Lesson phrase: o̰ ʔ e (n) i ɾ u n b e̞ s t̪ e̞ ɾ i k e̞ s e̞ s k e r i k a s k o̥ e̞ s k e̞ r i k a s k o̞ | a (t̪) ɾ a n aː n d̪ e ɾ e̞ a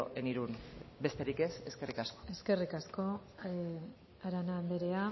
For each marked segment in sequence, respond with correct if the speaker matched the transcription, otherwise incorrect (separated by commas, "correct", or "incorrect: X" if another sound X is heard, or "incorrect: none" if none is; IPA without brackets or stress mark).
correct, incorrect: none